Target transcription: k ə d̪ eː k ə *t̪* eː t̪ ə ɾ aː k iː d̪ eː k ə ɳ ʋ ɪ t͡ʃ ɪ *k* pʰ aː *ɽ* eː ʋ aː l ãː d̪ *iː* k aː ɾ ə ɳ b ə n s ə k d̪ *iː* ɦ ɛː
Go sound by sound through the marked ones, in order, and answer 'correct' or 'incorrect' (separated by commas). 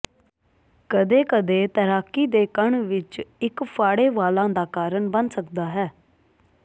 incorrect, correct, correct, incorrect, incorrect